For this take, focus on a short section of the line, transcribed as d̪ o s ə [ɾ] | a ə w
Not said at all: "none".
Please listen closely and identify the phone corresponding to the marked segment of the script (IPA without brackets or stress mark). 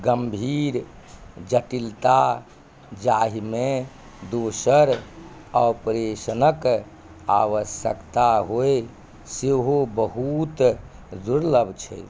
ɾ